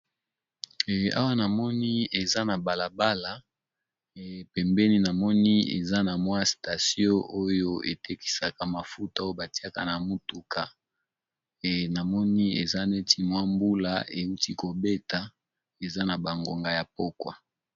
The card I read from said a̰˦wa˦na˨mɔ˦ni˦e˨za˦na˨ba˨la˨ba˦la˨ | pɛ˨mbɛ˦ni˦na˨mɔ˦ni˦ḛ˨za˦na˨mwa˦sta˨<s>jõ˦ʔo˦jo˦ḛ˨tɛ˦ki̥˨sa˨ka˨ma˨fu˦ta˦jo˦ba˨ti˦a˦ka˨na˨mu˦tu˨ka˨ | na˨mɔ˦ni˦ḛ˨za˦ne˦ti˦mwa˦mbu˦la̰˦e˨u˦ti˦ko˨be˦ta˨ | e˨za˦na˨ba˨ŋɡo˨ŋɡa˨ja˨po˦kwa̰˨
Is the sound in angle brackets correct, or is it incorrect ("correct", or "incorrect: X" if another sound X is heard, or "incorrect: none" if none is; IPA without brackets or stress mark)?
correct